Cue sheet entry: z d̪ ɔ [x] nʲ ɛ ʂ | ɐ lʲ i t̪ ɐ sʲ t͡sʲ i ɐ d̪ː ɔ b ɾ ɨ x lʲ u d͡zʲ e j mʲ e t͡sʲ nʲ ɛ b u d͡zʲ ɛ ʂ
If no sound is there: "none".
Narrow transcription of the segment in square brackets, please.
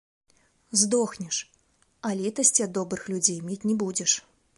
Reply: x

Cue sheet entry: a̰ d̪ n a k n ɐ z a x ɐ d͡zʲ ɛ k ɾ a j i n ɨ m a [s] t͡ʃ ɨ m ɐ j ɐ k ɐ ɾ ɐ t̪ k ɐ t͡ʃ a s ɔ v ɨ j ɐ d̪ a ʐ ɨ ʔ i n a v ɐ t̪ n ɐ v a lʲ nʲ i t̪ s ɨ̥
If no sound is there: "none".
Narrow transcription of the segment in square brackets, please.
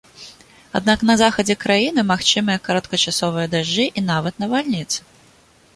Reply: x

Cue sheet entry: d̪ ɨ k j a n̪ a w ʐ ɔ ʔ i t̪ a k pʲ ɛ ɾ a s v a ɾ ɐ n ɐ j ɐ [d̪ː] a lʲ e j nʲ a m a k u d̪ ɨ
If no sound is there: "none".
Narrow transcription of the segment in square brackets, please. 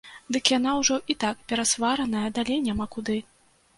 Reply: d̪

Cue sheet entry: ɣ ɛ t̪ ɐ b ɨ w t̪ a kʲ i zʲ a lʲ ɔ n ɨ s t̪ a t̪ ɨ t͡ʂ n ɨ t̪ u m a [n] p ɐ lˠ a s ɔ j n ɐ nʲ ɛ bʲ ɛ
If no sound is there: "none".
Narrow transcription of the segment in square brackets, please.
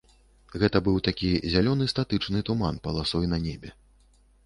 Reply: n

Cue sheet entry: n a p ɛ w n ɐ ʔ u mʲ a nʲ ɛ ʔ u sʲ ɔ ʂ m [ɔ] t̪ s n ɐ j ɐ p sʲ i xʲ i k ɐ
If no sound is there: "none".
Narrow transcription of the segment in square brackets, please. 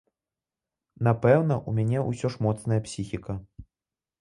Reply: ɔ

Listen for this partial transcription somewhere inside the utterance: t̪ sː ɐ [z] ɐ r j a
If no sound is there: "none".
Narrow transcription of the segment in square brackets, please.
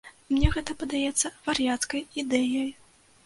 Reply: v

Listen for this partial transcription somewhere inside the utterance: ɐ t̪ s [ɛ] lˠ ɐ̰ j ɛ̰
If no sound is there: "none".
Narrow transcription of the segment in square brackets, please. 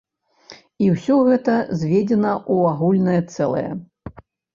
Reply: ɛ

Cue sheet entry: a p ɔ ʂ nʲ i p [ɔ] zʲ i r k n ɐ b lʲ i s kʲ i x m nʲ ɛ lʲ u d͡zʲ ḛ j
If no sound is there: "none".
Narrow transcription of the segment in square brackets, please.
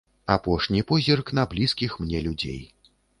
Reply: ɔ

